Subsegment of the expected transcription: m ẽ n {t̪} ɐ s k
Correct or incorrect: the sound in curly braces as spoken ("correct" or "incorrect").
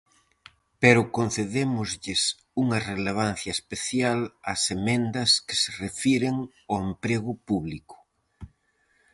incorrect